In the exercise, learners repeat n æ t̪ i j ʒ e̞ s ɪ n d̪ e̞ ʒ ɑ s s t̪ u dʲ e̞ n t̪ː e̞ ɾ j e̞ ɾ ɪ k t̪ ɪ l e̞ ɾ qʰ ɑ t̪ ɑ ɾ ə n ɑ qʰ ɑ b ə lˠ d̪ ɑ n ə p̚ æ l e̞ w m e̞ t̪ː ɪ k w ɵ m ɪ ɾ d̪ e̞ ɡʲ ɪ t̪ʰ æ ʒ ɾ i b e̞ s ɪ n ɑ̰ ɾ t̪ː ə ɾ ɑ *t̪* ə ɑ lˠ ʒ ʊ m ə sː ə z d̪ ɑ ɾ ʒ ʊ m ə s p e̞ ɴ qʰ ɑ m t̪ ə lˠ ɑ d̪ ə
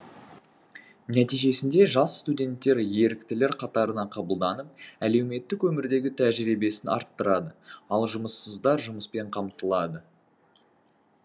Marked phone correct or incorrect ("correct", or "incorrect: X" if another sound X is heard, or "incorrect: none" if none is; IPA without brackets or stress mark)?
incorrect: d̪